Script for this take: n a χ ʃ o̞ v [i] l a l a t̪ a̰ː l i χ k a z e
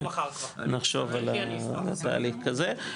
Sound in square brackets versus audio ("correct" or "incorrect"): incorrect